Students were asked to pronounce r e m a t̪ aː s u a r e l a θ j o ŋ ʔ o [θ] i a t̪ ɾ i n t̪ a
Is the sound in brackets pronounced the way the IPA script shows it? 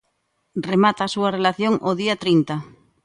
no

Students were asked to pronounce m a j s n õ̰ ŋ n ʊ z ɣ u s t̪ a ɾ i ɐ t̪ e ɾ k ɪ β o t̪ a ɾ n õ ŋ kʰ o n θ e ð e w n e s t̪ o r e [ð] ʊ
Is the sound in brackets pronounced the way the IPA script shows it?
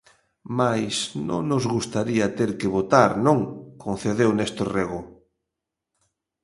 no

